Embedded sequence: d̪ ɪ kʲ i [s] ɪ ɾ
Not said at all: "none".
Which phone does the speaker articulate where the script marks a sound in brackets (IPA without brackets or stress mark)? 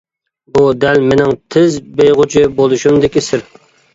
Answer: s